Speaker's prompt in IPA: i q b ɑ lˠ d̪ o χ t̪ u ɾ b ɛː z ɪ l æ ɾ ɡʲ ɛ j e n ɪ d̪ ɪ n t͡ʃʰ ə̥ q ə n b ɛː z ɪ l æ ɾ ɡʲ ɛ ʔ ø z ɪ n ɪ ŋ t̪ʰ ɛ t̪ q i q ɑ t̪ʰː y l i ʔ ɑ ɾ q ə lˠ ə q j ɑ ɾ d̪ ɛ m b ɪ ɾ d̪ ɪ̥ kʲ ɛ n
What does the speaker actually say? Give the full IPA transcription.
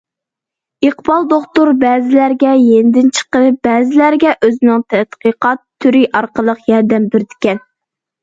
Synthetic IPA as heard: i q b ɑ lˠ d̪ o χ t̪ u ɾ b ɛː z ɪ l æ ɾ ɡʲ ɛ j e n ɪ d̪ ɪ n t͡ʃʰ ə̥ q ə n b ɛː z ɪ l æ ɾ ɡʲ ɛ ʔ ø z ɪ n ɪ ŋ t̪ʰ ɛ t̪ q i q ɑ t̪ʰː y ɾ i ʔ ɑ ɾ q ə lˠ ə q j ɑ ɾ d̪ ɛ m b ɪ ɾ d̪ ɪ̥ kʲ ɛ n

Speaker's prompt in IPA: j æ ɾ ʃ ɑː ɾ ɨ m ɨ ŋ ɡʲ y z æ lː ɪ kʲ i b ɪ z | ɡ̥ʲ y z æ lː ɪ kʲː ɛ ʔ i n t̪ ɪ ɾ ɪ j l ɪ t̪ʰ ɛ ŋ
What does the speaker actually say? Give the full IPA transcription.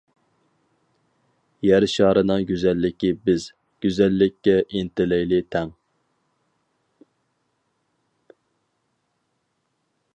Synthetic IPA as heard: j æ ɾ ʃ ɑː ɾ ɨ n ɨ ŋ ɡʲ y z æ lː ɪ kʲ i b ɪ z | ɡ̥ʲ y z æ lː ɪ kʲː ɛ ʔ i n t̪ ɪ l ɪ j l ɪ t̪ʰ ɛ ŋ

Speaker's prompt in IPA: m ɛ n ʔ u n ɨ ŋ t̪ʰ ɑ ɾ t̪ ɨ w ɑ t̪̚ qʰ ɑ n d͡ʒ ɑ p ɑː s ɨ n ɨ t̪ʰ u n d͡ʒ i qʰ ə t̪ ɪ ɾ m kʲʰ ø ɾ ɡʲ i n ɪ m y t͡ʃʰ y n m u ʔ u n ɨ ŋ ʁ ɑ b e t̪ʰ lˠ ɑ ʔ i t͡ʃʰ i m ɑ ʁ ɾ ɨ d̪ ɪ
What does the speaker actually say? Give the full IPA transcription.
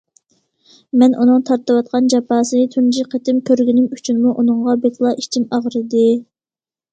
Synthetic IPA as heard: m ɛ n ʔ u n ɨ ŋ t̪ʰ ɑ ɾ t̪ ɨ w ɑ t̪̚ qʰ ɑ n d͡ʒ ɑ p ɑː s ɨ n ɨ t̪ʰ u n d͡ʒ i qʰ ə t̪ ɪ m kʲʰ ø ɾ ɡʲ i n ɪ m y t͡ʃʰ y n m u ʔ u n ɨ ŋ ʁ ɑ b e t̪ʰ lˠ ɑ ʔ i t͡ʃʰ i m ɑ ʁ ɾ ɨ d̪ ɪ

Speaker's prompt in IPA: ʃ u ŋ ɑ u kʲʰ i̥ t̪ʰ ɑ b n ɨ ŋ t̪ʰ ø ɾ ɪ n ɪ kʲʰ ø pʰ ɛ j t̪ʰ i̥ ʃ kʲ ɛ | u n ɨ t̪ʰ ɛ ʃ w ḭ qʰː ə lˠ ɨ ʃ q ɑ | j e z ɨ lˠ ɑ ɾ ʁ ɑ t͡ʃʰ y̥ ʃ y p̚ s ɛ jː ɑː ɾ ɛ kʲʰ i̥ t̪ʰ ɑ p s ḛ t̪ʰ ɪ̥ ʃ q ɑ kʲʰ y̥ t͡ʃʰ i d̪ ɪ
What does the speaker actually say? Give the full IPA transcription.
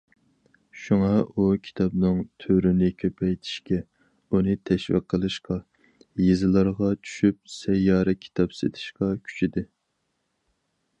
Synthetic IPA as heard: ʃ u ŋ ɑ u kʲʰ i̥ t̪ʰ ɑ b n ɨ ŋ t̪ʰ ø ɾ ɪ n ɪ kʲʰ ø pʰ ɛ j t̪ʰ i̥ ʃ kʲ ɛ | u n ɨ t̪ʰ ɛ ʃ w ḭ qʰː ə lˠ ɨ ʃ q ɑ | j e z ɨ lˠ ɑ ɾ ʁ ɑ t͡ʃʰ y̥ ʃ y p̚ s ɛ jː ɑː ɾ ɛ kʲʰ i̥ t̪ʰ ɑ p s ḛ t̪ʰ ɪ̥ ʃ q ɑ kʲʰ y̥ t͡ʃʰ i d̪ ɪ

